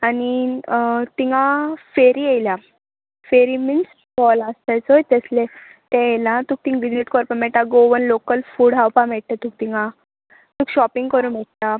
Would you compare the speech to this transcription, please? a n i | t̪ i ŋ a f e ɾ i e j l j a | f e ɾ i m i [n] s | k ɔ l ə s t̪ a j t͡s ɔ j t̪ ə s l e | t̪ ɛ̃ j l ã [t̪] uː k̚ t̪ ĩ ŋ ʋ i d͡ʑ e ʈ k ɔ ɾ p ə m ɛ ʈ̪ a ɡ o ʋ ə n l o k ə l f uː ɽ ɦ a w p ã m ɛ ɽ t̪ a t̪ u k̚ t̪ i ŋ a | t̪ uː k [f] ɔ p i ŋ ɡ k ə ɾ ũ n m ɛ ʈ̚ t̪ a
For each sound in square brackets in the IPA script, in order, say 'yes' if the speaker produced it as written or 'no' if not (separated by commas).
yes, yes, no